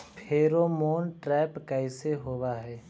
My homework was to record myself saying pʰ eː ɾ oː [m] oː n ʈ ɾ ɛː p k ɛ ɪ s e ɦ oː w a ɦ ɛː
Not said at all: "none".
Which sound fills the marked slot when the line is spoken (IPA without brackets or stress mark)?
m